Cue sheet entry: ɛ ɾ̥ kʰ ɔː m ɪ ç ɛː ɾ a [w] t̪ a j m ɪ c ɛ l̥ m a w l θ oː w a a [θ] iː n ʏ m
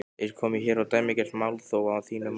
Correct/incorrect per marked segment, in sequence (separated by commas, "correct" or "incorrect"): correct, correct